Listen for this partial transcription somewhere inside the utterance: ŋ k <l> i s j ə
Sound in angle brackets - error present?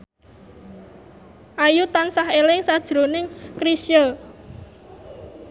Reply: yes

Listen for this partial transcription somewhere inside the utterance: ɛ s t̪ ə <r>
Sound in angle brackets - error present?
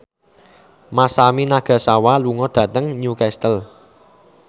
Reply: yes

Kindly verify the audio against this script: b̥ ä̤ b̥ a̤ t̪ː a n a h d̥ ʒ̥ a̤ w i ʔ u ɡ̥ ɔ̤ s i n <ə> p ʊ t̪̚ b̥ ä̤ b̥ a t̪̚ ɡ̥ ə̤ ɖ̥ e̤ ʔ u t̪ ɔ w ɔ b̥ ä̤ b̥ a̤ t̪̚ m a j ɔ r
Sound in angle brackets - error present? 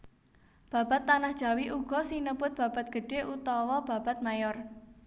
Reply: no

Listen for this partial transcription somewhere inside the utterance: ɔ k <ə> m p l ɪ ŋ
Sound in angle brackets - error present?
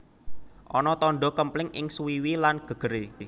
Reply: no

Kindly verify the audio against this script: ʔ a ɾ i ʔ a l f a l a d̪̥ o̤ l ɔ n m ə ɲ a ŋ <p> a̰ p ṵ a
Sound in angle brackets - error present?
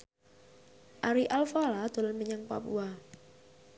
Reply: no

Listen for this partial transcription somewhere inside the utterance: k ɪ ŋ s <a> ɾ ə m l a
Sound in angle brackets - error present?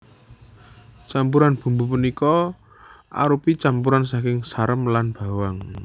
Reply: no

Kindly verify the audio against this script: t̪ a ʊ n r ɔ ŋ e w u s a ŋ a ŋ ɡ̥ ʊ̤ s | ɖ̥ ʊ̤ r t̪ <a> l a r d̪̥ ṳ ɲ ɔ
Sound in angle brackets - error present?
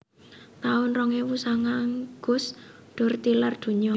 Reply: yes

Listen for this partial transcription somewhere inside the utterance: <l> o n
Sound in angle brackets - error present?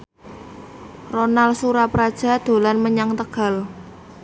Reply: yes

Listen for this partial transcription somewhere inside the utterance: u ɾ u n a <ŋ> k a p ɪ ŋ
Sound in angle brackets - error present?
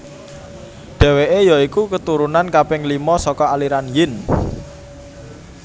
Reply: yes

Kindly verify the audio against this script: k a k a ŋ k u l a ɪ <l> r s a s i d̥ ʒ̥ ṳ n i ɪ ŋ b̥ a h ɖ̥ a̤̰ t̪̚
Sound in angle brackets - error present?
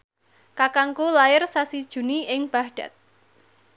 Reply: yes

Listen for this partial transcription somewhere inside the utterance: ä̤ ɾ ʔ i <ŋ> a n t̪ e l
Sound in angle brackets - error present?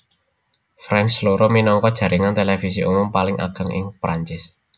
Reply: no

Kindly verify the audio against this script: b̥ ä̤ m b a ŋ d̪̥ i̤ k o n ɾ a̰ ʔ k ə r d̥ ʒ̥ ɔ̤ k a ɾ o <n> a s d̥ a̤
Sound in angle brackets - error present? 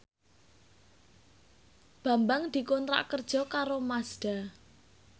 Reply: yes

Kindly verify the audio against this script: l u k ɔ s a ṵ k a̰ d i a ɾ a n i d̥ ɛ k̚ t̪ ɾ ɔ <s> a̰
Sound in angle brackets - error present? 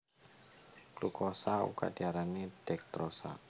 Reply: no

